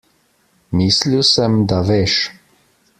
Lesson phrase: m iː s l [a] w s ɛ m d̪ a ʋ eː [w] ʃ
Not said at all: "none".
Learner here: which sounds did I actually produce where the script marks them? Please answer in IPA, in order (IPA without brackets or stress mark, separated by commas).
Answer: i, none